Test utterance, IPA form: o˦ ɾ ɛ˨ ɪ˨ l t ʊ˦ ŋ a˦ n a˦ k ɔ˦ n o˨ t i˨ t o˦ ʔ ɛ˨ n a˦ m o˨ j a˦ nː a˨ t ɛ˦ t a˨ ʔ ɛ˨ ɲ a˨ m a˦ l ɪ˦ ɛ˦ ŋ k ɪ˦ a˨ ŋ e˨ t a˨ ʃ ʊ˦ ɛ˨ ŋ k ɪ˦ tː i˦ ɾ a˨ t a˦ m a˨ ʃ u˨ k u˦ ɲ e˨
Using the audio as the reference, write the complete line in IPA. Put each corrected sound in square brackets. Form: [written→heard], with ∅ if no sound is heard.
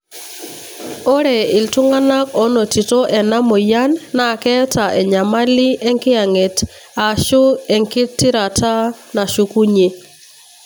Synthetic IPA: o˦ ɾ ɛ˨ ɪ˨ l t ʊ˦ ŋ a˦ n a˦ k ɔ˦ n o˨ t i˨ t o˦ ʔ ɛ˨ n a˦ m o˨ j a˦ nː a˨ [t→k] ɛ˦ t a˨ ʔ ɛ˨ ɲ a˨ m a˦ l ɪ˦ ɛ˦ ŋ k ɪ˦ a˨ ŋ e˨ t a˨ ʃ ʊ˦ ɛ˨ ŋ k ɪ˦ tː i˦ ɾ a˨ t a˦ [m→n] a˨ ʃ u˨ k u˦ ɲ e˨